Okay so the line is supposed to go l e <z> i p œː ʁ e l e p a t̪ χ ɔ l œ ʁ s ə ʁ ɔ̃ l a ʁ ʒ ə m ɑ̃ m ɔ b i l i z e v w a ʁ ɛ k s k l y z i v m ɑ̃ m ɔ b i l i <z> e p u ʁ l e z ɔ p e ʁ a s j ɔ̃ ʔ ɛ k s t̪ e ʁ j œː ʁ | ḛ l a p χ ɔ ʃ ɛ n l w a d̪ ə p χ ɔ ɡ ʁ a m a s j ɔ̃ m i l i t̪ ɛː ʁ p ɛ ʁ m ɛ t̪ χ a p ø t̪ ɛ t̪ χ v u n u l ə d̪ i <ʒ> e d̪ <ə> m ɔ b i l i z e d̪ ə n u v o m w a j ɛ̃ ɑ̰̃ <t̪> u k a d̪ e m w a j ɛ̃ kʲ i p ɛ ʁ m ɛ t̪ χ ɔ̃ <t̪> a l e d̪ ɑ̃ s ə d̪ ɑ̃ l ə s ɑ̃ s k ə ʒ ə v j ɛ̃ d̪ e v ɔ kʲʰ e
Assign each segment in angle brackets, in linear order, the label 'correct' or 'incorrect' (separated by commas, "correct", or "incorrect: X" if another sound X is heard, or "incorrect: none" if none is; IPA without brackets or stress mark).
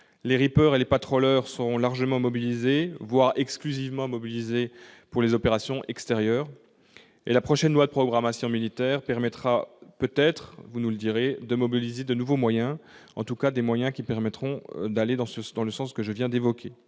incorrect: ʁ, correct, incorrect: ʁ, correct, correct, incorrect: d̪